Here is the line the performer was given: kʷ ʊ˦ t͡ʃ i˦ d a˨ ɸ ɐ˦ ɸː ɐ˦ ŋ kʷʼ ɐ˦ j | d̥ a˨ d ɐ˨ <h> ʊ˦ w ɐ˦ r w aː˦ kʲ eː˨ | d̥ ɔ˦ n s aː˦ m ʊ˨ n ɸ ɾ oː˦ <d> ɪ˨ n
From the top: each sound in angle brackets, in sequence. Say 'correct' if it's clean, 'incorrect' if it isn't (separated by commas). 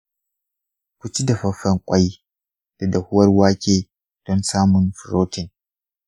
correct, incorrect